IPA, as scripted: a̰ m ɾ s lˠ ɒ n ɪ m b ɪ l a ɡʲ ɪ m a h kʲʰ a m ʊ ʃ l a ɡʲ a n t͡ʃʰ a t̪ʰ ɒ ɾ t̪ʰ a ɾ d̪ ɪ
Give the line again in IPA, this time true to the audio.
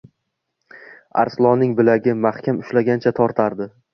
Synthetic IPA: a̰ ɾ s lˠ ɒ n ɪ ŋ b ɪ l a ɡʲ ɪ m a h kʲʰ a m ʊ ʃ l a ɡʲ a n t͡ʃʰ a t̪ʰ ɒ ɾ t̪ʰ a ɾ d̪ ɪ